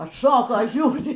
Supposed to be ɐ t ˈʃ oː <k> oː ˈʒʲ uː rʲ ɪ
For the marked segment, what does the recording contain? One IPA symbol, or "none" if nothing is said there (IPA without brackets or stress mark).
k